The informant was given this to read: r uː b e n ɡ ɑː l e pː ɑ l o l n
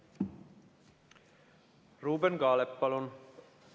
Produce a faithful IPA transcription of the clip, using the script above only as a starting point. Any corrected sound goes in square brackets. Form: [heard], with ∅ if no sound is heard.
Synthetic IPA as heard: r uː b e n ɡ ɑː l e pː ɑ l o [∅] n